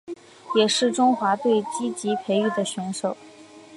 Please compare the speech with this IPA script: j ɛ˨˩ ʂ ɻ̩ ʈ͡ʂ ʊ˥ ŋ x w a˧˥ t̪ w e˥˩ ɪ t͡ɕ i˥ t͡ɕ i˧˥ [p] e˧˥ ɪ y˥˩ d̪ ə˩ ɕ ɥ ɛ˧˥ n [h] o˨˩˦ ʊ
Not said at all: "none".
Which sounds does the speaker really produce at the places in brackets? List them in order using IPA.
pʰ, ʂ

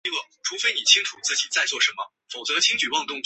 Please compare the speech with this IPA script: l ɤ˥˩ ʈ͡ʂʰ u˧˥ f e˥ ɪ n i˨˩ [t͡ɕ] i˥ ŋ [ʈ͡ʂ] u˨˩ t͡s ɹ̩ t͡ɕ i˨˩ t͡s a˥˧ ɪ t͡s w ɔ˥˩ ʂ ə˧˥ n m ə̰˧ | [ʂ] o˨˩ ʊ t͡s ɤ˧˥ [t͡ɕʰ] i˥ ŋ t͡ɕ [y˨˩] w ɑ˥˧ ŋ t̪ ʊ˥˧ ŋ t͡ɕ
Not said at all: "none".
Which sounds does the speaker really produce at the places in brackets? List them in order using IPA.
t͡ɕʰ, ʈ͡ʂʰ, f, t͡ɕʰ, y˨˩

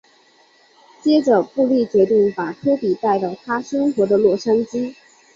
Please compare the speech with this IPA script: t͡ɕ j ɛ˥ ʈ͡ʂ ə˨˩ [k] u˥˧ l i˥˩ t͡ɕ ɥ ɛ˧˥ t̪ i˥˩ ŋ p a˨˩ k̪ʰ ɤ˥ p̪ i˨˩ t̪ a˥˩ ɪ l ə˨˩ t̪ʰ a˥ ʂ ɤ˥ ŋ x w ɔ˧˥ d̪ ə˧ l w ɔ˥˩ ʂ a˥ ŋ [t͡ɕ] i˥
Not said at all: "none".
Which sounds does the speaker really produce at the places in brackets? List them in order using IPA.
p, t͡ɕ

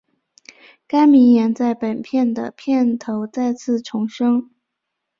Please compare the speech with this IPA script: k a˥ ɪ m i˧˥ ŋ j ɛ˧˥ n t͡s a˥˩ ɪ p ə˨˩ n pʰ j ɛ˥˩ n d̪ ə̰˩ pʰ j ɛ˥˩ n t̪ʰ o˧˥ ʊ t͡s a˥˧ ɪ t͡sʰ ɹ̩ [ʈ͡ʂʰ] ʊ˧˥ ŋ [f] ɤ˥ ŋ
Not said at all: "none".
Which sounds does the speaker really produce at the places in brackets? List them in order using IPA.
ʈ͡ʂʰ, ʂ

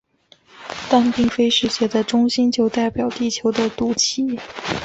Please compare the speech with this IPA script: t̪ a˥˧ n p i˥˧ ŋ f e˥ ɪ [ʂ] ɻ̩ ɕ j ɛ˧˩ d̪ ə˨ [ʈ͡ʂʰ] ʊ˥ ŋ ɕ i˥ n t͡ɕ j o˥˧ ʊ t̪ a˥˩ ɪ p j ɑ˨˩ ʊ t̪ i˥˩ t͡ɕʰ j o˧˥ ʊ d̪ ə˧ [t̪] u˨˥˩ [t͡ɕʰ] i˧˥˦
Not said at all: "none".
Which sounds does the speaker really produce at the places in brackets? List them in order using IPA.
ʂ, ʈ͡ʂ, t̪, t͡ɕʰ

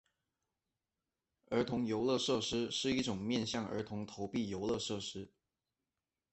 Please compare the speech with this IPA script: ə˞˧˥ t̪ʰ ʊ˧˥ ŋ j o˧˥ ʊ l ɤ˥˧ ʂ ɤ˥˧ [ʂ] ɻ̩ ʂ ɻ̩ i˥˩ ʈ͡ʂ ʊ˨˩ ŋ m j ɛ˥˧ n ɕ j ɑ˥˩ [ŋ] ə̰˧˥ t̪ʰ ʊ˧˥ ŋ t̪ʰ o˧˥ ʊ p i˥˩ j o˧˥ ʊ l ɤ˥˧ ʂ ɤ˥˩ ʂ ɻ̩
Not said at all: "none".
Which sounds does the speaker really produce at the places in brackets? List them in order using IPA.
ʂ, ŋ

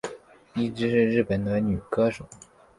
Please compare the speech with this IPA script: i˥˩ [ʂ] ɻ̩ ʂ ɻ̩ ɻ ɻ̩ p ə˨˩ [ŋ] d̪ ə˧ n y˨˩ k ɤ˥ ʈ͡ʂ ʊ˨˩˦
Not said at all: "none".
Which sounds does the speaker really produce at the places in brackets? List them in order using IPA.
ʈ͡ʂ, n

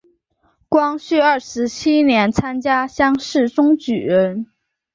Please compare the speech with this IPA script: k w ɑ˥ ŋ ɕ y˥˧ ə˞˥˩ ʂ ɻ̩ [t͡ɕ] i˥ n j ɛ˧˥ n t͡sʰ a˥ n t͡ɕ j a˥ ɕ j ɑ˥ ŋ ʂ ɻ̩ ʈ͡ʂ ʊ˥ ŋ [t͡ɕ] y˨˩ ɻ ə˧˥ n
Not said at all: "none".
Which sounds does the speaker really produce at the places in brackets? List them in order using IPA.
t͡ɕʰ, t͡ɕ

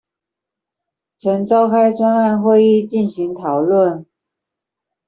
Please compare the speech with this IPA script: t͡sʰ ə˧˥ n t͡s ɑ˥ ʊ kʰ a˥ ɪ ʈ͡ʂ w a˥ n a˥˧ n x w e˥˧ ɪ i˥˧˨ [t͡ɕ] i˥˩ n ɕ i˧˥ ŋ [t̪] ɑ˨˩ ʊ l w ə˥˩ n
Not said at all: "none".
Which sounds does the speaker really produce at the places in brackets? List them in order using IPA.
t͡ɕ, t̪ʰ

